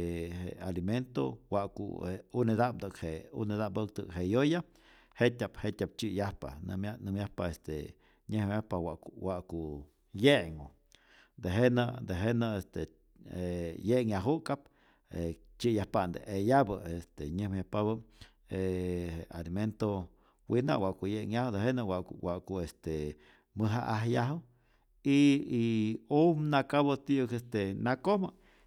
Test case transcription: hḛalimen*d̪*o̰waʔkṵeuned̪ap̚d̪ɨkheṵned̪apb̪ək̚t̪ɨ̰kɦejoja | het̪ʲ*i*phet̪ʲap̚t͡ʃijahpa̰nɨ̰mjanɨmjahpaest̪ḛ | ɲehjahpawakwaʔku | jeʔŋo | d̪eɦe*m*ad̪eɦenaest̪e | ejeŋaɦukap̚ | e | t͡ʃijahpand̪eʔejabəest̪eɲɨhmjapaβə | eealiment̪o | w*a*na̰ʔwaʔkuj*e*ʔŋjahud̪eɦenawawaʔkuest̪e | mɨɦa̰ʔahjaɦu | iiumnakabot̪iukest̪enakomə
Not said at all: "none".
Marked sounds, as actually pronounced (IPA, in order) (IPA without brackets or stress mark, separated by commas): t̪, a, n, i, e